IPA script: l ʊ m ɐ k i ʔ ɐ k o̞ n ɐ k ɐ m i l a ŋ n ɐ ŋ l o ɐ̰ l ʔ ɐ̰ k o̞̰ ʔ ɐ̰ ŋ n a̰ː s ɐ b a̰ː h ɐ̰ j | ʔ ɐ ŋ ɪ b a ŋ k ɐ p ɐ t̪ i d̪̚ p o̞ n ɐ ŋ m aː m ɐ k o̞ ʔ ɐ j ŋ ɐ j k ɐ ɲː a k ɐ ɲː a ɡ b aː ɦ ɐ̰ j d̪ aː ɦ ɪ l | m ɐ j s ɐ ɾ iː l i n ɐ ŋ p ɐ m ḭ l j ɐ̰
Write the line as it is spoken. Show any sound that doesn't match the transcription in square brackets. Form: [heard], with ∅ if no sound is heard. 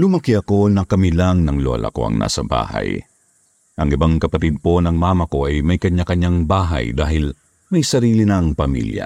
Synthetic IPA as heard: l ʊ m ɐ k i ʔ ɐ k o̞ n ɐ k ɐ m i l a ŋ n ɐ ŋ l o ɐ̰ l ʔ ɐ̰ k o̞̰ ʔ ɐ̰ ŋ n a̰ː s ɐ b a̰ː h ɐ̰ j | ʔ ɐ ŋ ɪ b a ŋ k ɐ p ɐ t̪ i d̪̚ p o̞ n ɐ ŋ m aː m ɐ k o̞ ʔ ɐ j [m] ɐ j k ɐ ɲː a k ɐ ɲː a [ŋ] b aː ɦ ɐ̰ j d̪ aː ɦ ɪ l | m ɐ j s ɐ ɾ iː l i n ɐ ŋ p ɐ m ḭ l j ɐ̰